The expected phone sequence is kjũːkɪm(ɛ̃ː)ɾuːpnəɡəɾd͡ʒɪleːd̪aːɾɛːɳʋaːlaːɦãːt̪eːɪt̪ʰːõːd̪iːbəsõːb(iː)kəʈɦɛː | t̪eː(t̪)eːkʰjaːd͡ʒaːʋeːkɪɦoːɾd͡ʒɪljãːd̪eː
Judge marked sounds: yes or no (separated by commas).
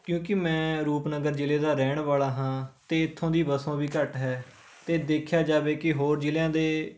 yes, yes, no